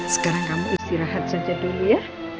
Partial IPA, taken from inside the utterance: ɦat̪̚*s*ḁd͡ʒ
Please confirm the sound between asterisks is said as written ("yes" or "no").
yes